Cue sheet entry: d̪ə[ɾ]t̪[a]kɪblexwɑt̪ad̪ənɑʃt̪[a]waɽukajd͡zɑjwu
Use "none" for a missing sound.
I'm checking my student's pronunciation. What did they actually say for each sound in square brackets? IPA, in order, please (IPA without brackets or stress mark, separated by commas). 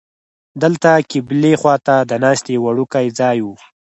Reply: l, a, e